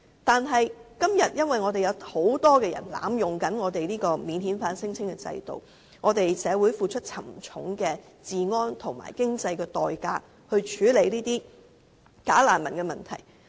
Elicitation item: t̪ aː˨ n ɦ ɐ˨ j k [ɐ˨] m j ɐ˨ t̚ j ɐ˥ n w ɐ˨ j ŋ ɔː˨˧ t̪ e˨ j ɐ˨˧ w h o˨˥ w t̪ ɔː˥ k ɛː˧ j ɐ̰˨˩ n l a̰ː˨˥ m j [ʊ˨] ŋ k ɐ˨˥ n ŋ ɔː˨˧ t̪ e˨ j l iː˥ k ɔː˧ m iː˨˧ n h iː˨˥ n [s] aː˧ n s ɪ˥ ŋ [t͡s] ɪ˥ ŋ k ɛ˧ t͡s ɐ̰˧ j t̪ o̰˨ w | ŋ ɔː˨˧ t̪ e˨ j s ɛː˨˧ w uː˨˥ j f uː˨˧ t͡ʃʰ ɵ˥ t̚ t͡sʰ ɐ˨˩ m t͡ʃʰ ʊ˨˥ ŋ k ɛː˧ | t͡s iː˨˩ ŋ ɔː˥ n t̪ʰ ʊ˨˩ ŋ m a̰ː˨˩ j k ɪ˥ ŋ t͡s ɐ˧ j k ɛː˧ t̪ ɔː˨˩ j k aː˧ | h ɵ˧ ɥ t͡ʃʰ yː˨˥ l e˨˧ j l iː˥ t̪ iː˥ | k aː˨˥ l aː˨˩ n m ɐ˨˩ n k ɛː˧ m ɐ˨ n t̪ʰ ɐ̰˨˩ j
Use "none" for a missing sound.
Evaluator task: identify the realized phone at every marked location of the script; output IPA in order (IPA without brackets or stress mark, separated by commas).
ɐ˥, ʊ˨, f, t͡sʰ